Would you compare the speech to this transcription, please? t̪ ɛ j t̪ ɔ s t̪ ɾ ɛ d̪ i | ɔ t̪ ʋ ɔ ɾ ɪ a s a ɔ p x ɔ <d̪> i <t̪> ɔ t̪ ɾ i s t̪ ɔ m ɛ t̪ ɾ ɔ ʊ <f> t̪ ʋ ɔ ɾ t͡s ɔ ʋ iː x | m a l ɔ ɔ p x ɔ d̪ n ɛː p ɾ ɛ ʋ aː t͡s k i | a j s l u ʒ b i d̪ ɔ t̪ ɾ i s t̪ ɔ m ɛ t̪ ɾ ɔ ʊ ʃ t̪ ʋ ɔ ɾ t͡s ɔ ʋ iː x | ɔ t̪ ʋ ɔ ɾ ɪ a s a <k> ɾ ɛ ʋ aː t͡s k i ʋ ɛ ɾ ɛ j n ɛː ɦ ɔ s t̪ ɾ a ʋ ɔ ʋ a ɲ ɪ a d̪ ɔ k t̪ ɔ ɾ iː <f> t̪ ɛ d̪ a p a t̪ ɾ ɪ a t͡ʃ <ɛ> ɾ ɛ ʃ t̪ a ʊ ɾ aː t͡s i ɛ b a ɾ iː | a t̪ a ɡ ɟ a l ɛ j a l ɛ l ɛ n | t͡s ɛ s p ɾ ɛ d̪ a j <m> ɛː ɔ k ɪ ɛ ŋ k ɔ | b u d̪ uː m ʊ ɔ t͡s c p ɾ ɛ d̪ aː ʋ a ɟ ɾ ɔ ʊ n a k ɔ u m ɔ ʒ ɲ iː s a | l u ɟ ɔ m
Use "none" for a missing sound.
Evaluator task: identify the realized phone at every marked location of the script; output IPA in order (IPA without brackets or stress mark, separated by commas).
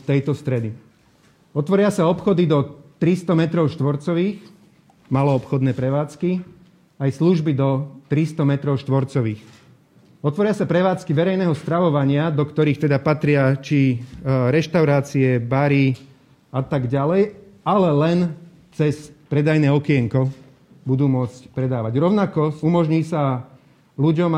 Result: d̪, d̪, ʃ, p, x, i, n